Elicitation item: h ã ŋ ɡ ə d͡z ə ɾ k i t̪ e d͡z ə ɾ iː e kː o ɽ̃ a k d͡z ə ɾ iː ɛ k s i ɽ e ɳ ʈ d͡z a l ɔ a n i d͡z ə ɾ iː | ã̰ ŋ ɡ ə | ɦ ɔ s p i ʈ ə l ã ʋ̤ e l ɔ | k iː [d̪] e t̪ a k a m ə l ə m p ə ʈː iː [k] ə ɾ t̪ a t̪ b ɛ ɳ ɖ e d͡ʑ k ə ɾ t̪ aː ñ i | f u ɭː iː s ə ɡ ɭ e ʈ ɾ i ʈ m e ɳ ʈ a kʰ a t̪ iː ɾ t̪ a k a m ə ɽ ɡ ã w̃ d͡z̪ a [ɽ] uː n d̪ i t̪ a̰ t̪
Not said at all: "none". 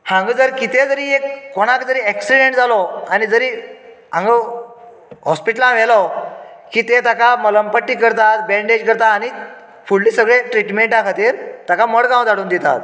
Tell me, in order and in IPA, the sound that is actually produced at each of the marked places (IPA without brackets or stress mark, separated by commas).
t̪, k, ɽ